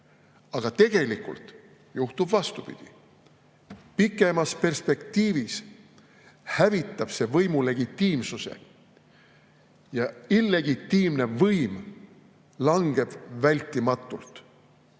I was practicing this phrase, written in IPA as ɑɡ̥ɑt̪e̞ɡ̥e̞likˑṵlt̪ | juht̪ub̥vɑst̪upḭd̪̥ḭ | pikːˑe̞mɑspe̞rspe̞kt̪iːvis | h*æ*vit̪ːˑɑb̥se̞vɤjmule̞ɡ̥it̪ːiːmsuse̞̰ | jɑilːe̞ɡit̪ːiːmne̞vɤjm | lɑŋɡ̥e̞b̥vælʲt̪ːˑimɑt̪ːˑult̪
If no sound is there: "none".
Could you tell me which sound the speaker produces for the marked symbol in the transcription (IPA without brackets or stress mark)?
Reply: æ